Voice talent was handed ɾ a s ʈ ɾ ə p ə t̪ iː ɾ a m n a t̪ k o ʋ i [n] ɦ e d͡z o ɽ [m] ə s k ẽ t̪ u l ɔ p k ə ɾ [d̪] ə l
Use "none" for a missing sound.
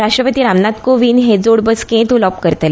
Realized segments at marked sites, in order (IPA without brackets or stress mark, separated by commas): n, b, t̪